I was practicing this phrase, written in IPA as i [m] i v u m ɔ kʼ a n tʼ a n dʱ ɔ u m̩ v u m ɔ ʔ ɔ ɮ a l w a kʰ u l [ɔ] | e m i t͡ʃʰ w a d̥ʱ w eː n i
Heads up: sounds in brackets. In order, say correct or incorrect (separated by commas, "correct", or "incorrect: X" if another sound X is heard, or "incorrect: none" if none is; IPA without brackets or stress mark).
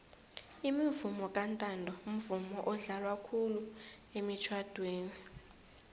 correct, incorrect: u